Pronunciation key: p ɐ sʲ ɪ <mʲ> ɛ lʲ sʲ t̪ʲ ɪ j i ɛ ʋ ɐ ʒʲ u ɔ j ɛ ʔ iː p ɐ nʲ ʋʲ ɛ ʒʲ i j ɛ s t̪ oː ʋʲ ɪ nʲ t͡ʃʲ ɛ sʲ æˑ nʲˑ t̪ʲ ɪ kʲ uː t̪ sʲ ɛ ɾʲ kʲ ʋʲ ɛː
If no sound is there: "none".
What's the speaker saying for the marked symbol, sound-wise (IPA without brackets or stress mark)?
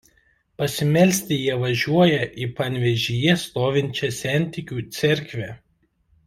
mʲ